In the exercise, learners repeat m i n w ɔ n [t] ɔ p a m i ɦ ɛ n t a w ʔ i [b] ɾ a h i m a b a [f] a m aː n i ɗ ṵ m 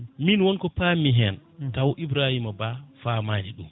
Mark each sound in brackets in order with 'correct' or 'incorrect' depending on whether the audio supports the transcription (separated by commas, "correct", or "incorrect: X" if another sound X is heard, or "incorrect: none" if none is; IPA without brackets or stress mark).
incorrect: k, correct, correct